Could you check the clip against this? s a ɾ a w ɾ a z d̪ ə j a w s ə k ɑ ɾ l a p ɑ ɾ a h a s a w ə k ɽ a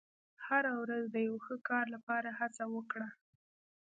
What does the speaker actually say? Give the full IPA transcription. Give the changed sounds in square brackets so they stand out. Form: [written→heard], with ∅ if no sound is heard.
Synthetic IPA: [s→h] a ɾ a w ɾ a z d̪ ə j a w [s→x] ə k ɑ ɾ l a p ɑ ɾ a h a [s→t͡s] a w ə k ɽ a